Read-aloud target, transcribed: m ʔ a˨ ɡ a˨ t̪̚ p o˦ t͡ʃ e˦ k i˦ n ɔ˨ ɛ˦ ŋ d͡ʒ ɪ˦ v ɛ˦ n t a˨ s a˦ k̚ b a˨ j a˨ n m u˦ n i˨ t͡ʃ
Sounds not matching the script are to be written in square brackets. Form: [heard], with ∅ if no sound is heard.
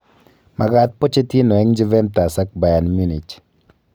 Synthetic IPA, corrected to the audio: m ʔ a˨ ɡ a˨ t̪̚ p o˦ t͡ʃ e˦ [t] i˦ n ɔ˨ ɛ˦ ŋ d͡ʒ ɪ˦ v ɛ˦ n t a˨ s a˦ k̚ b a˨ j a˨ n m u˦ n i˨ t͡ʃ